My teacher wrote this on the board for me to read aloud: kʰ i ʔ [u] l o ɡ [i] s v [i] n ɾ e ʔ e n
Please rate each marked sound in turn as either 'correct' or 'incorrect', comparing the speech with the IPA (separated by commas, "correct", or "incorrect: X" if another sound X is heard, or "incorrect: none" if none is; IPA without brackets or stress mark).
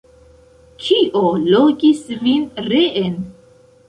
incorrect: o, correct, correct